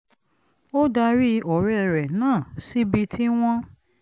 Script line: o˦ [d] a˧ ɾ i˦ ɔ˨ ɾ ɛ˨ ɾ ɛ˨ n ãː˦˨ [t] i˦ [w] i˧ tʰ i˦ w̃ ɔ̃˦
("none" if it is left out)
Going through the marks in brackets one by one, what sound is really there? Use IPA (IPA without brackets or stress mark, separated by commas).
d, s, b